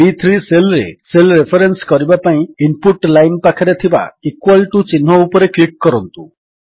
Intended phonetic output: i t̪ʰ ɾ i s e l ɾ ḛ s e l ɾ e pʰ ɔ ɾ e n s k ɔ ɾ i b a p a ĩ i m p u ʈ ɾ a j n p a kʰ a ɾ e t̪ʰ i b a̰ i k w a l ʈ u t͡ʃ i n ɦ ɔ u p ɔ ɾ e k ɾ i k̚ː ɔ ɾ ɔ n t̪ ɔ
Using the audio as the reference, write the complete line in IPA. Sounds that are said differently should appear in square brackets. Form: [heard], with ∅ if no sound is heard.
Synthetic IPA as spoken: i t̪ʰ ɾ i s e l ɾ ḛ s e l ɾ e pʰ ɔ ɾ e n s k ɔ ɾ i b a p a ĩ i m p u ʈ [l] a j n p a kʰ a ɾ e t̪ʰ i b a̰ i k w a l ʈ u t͡ʃ i n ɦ ɔ u p ɔ ɾ e k [l] i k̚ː ɔ ɾ ɔ n t̪ [u]